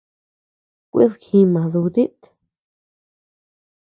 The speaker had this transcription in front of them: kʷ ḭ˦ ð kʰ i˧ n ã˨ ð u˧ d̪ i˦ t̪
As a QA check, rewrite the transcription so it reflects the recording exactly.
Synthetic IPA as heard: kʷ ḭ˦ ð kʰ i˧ m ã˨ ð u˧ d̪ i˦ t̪